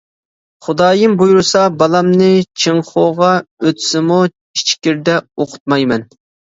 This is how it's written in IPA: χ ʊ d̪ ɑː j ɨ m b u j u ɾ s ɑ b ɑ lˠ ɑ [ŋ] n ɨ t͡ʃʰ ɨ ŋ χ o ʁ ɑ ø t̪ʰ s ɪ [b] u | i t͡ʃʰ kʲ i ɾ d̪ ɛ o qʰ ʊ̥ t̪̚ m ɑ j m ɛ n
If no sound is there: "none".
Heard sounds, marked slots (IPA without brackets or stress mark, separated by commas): m, m